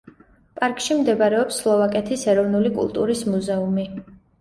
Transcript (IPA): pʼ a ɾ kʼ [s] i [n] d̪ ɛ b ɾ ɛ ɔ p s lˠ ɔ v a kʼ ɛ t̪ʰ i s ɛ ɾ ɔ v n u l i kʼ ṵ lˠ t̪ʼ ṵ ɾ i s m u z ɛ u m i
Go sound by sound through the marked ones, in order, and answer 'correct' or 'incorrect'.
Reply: incorrect, incorrect

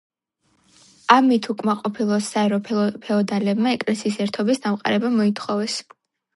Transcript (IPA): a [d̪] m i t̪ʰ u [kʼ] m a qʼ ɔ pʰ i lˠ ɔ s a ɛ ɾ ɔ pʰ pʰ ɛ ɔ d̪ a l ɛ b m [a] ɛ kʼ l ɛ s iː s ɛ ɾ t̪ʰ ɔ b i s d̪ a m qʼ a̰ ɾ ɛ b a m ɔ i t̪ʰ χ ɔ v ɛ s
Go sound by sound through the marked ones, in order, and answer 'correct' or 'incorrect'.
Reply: incorrect, correct, correct

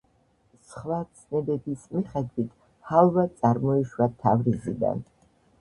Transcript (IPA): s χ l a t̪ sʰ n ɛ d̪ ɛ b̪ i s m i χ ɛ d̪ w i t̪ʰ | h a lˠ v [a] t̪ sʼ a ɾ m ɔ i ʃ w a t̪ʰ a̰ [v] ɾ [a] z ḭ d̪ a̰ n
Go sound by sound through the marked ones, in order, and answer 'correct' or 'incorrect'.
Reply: correct, correct, incorrect

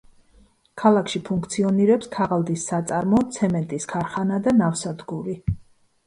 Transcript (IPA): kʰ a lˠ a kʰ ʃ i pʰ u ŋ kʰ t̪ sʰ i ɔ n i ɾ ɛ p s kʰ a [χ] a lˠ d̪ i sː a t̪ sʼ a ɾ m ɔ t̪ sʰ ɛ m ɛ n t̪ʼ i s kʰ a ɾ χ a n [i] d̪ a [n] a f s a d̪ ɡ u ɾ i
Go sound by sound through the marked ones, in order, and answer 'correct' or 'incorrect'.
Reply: incorrect, incorrect, correct

